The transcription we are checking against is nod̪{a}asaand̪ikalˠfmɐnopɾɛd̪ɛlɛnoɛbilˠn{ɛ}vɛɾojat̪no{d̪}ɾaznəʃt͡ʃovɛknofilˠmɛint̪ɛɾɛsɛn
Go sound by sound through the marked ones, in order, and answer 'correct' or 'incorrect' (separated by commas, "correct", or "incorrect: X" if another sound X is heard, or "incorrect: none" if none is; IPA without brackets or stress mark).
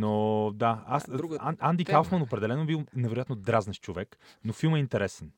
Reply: correct, correct, correct